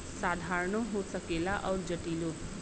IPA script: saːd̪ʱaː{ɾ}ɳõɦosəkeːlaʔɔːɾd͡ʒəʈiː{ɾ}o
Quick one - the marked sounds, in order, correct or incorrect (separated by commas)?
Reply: correct, incorrect